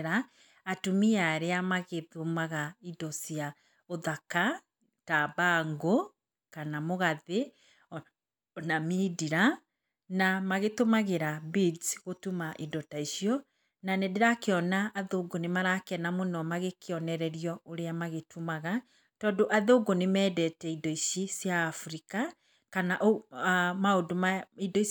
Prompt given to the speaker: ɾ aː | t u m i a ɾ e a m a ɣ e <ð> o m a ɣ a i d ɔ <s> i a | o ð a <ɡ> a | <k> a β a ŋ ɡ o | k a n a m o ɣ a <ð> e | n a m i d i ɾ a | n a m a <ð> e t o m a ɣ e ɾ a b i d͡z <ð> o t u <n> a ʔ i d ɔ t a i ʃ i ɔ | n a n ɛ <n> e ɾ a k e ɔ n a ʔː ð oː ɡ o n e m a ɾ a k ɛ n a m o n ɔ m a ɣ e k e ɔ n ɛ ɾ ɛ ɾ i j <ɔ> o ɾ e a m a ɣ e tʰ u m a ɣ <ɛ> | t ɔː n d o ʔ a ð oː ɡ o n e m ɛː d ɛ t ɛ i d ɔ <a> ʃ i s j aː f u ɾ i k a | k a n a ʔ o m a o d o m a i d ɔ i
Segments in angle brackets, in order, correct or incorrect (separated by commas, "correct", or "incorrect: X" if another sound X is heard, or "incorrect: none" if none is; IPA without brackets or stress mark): correct, correct, incorrect: k, incorrect: t, correct, incorrect: ɣ, incorrect: ɣ, incorrect: m, incorrect: d, correct, incorrect: a, incorrect: i